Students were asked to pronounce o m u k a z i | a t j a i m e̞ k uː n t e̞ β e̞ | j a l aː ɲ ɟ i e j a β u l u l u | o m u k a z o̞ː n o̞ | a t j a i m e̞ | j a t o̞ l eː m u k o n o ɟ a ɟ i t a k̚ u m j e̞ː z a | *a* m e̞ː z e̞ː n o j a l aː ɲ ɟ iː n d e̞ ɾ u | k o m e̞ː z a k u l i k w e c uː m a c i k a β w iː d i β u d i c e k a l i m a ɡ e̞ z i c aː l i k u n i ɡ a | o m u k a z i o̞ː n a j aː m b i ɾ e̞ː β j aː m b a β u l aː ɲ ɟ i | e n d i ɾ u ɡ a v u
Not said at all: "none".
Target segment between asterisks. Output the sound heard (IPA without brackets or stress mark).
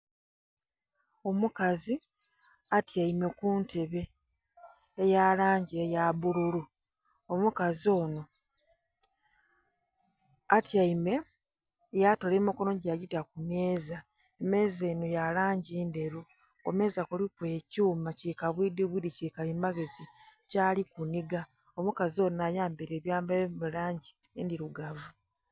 e